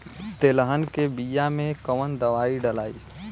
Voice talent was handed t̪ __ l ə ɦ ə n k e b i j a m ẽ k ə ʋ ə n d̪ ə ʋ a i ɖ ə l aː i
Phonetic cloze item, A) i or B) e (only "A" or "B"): B